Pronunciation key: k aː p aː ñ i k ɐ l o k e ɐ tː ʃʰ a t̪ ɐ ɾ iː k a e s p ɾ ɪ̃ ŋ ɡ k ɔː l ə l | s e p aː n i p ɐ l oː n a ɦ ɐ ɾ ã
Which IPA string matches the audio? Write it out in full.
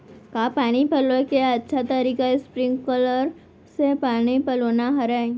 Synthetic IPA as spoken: k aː p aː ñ i p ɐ l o k e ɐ tː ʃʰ a t̪ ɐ ɾ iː k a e s p ɾ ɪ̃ ŋ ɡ k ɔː l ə ɾ | s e p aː n i p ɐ l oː n a ɦ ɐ ɾ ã